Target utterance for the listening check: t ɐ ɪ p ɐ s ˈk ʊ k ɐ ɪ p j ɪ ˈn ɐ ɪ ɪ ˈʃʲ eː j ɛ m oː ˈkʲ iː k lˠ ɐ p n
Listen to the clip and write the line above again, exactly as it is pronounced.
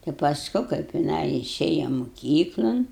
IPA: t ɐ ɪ p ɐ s ˈk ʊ k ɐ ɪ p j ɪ ˈn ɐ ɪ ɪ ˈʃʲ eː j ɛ m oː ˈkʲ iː k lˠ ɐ n